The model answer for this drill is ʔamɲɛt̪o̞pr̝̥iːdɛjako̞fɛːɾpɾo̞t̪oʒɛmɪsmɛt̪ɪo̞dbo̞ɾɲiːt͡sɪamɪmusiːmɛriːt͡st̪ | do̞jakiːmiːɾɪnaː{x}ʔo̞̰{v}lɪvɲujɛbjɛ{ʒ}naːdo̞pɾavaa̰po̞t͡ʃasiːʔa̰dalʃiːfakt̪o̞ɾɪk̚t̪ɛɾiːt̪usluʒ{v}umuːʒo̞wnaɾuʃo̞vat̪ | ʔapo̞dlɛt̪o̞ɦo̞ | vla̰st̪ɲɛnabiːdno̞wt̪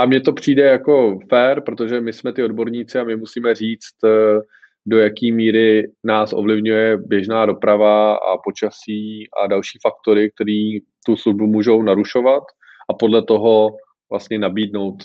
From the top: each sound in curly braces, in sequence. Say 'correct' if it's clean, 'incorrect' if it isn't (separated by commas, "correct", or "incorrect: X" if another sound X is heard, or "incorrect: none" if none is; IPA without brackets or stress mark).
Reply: incorrect: s, correct, correct, incorrect: b